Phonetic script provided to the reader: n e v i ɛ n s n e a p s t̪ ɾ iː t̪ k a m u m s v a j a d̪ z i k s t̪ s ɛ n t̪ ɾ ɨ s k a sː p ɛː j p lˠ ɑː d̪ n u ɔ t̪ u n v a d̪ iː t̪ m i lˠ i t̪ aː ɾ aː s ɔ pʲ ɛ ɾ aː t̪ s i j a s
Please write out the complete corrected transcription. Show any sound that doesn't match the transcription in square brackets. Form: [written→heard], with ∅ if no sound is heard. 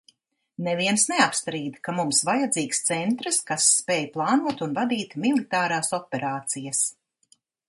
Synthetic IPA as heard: n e v i ɛ n s n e a p s t̪ ɾ iː [t̪→d̪] k a m u m s v a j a d̪ z [i→iː] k s t̪ s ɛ n t̪ ɾ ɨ s k a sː p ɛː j p lˠ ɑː [d̪→∅] n u ɔ t̪ u n v a d̪ iː t̪ m i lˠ i t̪ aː ɾ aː s ɔ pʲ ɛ ɾ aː t̪ s i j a s

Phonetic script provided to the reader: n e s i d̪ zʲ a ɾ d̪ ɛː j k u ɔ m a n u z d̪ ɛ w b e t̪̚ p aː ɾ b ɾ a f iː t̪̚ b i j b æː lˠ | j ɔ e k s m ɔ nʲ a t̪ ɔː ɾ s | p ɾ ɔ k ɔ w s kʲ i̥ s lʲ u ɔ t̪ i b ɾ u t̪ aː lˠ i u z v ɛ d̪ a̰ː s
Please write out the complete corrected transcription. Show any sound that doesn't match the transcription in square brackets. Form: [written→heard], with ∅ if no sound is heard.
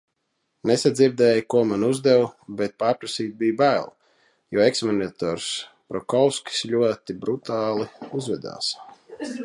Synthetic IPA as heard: n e s [i→a] d̪ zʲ [a→i] ɾ d̪ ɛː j k u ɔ m a n u z d̪ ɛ w b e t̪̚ p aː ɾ [b→p] ɾ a [f→s] iː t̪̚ b i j b æː lˠ | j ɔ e k s m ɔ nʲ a t̪ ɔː ɾ s | p ɾ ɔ k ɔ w s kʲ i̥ s lʲ u ɔ t̪ i b ɾ u t̪ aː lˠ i u z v ɛ d̪ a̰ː s

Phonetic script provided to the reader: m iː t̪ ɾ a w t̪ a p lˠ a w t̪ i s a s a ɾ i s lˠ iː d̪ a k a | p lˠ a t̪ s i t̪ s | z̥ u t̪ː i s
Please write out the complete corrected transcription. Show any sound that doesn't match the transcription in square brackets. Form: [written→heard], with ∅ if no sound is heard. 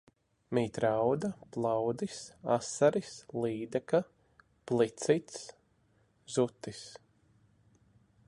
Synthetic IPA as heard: m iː t̪ ɾ a w [t̪→d̪] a p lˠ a w [t̪→d̪] i s a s a ɾ i s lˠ iː d̪ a k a | p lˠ [a→i] t̪ s i t̪ s | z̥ u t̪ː i s

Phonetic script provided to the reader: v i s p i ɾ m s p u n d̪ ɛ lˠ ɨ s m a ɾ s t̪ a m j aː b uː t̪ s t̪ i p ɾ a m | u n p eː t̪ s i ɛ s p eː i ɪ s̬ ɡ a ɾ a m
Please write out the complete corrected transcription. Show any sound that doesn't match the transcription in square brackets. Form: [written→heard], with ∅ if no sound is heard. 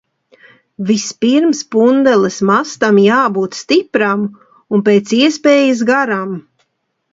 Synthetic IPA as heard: v i s p i ɾ m s p u n d̪ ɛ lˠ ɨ s m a [ɾ→∅] s t̪ a m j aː b uː t̪ s t̪ i p ɾ a m | u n p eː t̪ s i ɛ s p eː [i→j] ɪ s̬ ɡ a ɾ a m

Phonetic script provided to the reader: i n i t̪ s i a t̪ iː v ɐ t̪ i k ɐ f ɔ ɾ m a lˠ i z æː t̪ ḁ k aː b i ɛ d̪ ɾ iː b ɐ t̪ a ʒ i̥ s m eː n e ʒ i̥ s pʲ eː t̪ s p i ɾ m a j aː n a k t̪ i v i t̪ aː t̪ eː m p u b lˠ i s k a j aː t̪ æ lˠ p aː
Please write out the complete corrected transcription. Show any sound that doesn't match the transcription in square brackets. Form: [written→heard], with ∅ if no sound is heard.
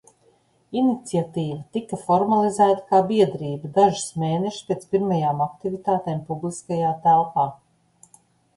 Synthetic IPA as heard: i n i t̪ s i a t̪ iː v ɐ t̪ i k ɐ f ɔ ɾ m a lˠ i z æː t̪ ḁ k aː b i ɛ d̪ ɾ iː b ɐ [t̪→d̪] a ʒ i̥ s m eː n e [ʒ→ʃ] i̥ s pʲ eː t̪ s p i ɾ m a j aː [n→m] a k t̪ i v i t̪ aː t̪ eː m p u b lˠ i s k a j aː t̪ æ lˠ p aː

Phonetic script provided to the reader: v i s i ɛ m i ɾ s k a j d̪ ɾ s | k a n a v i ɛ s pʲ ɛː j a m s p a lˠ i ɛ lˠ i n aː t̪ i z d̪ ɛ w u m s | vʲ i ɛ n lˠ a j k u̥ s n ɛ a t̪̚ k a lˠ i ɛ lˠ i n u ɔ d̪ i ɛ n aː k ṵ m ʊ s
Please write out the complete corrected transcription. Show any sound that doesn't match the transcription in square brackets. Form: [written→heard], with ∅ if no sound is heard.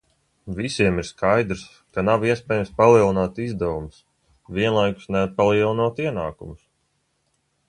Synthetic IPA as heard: v i s i ɛ m i ɾ s k a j d̪ ɾ s | k a n a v i ɛ s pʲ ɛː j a m s p a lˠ i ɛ lˠ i n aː t̪ i z d̪ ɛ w u m s | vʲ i ɛ n lˠ a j k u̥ s n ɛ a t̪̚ [k→p] a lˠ i ɛ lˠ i n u ɔ [d̪→t̪] i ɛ n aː k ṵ m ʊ s

